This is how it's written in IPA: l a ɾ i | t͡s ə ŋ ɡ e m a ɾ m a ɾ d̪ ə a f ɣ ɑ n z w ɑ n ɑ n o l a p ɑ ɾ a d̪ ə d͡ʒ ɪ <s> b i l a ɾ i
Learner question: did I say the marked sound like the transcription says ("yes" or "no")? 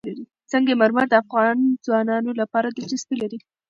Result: yes